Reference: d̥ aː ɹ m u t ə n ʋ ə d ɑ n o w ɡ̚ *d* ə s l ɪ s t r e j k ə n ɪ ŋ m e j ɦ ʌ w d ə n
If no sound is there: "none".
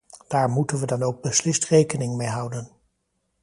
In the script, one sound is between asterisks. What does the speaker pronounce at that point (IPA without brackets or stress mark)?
b